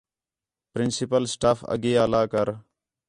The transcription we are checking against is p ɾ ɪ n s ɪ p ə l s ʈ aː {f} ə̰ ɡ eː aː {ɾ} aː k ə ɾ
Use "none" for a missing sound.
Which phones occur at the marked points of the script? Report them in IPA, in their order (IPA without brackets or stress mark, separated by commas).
f, l